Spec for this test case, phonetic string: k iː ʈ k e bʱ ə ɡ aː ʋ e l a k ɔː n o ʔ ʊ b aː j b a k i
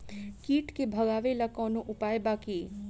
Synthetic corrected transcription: k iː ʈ k e bʱ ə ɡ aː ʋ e l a k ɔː n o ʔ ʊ p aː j b a k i